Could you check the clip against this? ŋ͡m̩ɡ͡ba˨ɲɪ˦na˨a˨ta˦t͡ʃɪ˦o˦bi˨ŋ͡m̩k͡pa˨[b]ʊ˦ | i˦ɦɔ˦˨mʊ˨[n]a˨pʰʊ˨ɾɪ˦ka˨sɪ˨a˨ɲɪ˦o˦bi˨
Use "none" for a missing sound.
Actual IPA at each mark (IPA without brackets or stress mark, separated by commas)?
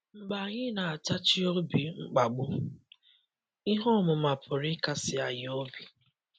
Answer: ɡ͡b, m